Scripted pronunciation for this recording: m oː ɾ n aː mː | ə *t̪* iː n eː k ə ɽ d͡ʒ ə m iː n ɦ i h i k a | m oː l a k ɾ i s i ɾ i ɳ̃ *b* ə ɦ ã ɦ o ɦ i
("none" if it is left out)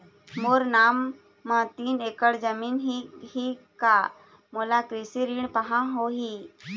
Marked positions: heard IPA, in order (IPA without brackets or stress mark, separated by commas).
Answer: t̪, p